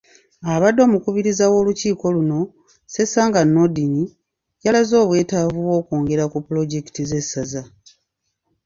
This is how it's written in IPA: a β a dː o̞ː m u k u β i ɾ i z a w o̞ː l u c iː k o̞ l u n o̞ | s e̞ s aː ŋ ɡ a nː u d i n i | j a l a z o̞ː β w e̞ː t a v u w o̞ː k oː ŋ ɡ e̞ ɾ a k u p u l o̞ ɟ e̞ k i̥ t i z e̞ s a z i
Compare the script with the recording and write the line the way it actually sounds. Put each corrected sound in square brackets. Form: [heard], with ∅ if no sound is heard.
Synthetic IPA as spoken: a β a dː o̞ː m u k u β i ɾ i z a w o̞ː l u c iː k o̞ l u n o̞ | s e̞ s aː ŋ ɡ a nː [o] d i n i | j a l a z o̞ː β w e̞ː t a v u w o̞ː k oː ŋ ɡ e̞ ɾ a k u p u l o̞ ɟ e̞ k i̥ t i z e̞ s a z [a]